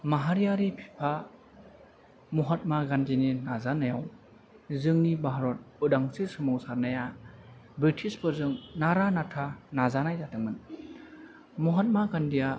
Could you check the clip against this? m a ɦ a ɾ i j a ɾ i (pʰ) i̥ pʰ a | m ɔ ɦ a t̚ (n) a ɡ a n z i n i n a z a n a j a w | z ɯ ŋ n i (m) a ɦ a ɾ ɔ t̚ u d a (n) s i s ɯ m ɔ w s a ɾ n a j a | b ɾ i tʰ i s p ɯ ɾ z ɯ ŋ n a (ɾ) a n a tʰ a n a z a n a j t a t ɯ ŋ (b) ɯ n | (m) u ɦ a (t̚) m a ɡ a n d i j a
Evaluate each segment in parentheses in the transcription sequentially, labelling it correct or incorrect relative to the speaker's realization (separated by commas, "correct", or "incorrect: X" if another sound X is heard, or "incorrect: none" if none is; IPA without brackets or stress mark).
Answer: correct, incorrect: m, incorrect: b, incorrect: ŋ, correct, incorrect: m, correct, correct